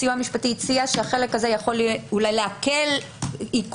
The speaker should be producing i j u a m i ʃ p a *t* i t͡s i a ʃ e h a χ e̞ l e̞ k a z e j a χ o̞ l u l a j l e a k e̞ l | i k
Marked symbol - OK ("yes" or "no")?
yes